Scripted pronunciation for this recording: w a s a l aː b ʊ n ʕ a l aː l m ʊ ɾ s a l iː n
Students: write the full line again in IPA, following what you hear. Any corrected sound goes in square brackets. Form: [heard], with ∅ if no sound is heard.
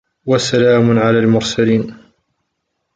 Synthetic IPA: w a s a l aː [m] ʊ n ʕ a l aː l m ʊ ɾ s a l iː n